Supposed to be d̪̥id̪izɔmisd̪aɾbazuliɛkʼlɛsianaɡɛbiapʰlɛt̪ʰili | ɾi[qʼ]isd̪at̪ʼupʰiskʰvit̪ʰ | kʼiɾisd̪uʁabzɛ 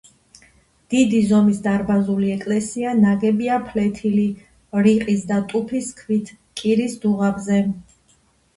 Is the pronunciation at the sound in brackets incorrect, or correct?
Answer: correct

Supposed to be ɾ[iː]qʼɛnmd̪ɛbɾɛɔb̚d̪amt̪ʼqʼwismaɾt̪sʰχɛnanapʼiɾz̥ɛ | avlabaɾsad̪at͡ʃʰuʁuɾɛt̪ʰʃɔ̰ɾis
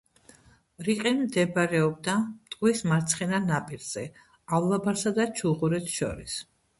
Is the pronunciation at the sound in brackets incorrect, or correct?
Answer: incorrect: i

